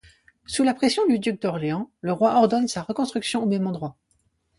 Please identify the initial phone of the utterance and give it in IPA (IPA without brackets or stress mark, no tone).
s